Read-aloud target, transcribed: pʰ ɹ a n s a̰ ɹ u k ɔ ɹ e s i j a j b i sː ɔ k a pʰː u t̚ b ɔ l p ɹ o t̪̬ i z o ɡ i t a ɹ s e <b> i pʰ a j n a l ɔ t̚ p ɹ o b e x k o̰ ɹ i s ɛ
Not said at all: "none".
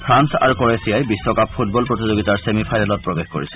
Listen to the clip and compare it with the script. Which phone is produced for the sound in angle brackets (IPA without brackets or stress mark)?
m